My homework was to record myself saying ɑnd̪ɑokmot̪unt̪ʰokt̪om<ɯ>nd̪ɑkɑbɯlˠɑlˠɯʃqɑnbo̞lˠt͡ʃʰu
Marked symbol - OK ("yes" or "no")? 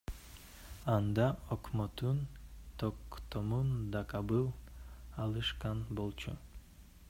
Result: no